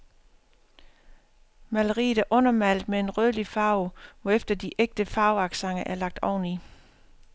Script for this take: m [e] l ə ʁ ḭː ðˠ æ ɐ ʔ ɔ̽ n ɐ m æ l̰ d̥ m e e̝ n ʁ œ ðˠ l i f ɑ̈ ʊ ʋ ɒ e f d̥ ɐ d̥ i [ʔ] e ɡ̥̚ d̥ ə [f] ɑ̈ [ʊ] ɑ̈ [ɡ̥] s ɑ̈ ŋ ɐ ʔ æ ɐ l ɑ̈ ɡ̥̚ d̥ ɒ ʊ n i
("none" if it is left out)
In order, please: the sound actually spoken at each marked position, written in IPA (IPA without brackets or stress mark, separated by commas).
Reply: æ, ʔ, f, ʊ, ɡ̥